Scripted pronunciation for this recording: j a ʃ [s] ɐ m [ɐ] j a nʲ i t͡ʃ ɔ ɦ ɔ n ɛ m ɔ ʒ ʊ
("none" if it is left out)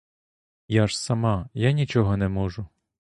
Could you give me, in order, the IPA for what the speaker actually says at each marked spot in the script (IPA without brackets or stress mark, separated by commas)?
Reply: s, ɑ